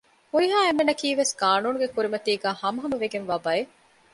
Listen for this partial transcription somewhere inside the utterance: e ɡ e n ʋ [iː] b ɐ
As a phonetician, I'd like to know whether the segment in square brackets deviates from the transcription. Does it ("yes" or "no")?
yes